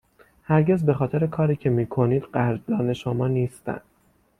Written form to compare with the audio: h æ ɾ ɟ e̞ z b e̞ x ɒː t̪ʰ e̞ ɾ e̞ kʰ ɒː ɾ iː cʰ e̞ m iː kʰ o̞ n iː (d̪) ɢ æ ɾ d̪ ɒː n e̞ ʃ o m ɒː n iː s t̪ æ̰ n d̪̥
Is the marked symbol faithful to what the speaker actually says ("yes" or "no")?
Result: yes